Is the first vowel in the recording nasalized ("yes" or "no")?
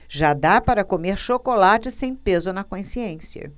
no